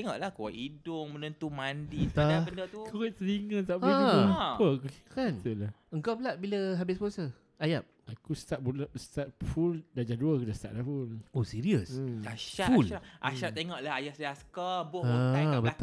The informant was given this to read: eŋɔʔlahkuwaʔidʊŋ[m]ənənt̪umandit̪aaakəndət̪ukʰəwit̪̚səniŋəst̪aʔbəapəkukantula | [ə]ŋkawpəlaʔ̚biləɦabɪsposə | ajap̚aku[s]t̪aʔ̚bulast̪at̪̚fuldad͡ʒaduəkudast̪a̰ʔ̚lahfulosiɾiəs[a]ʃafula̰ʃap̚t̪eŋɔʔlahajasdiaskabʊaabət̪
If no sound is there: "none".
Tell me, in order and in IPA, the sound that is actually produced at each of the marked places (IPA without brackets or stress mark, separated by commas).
m, ə, s, a